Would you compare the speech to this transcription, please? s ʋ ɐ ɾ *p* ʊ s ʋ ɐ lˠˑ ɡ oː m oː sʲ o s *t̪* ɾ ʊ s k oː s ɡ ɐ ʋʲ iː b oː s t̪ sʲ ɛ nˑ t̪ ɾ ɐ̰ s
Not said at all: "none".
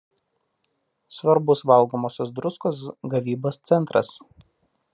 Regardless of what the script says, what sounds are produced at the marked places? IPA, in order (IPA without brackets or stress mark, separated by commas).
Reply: b, d̪